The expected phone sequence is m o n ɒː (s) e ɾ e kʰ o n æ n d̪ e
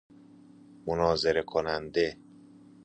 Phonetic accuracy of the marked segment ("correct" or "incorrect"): incorrect